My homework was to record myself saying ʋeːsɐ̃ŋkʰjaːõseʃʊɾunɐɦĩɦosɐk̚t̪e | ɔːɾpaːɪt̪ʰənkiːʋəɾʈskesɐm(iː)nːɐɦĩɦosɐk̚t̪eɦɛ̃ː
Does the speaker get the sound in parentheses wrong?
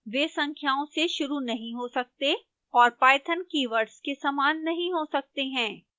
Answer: yes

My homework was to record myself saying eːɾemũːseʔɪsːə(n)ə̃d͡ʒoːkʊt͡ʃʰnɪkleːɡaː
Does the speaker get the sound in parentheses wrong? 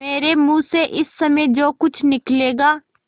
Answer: yes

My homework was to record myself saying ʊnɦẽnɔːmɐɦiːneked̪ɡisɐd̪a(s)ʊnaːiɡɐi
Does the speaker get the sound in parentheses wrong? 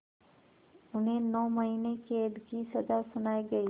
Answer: no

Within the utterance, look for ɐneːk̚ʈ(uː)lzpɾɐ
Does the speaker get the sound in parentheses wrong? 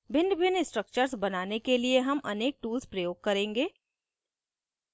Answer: no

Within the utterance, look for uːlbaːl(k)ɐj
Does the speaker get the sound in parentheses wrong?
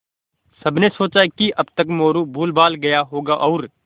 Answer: yes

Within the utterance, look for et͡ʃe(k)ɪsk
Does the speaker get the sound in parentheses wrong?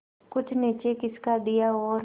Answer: no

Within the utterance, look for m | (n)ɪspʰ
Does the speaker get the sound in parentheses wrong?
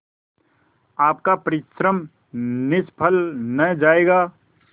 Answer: no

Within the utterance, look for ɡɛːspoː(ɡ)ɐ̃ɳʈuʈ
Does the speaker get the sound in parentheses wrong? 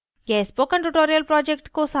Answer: yes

